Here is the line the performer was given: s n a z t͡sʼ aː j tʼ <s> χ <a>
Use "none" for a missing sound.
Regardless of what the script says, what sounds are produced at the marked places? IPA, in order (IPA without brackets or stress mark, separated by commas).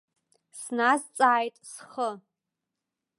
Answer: s, ə